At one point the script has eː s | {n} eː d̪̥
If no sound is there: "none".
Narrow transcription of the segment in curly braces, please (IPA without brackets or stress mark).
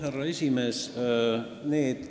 n